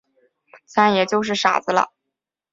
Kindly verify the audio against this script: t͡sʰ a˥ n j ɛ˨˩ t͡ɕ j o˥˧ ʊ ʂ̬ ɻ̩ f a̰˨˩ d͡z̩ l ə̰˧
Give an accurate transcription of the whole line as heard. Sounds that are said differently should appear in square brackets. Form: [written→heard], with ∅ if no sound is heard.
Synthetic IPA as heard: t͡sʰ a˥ n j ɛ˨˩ t͡ɕ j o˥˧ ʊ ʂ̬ ɻ̩ [f→ʂ] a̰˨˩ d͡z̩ l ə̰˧